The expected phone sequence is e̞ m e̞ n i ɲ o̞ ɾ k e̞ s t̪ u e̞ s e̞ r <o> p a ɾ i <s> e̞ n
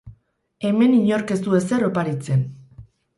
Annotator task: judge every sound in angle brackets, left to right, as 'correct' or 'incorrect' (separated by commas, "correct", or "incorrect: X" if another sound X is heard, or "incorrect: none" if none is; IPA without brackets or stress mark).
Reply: correct, incorrect: t͡s